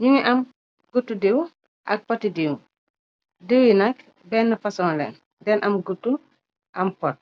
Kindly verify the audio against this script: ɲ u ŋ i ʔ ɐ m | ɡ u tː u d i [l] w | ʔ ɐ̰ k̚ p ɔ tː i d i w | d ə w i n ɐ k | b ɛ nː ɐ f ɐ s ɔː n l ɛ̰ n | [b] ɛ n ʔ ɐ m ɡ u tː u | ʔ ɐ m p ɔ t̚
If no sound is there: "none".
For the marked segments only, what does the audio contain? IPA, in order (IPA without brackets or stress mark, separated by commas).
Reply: none, d